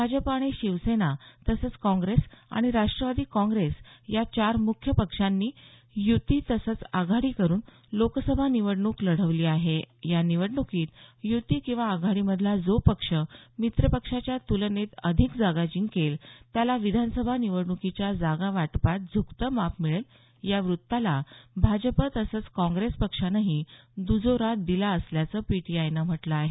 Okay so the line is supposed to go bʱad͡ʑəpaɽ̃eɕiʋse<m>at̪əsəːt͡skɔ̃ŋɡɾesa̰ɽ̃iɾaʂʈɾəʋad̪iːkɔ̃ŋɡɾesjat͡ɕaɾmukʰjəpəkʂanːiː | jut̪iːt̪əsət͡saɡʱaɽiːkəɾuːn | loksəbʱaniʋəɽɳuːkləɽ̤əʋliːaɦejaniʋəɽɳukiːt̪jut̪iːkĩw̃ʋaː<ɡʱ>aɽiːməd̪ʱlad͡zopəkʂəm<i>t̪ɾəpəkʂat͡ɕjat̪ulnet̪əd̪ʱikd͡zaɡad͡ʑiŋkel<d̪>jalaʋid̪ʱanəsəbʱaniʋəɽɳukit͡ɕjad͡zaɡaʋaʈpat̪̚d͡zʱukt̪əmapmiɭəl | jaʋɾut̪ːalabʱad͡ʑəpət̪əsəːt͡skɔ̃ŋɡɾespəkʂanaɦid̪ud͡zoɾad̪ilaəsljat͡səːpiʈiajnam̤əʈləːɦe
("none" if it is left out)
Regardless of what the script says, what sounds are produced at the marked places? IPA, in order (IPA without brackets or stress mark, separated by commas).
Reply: n, ɡʱ, i, t̪